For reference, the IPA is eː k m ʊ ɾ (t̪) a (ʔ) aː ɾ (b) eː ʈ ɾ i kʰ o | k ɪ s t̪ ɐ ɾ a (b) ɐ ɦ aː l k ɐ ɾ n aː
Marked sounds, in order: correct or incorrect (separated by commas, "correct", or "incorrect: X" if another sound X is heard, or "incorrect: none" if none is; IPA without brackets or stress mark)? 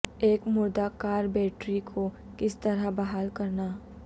incorrect: d̪, incorrect: k, correct, correct